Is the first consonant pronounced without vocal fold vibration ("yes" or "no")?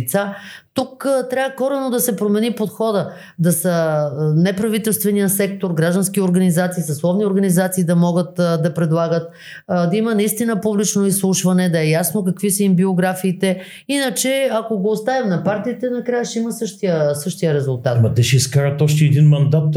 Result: yes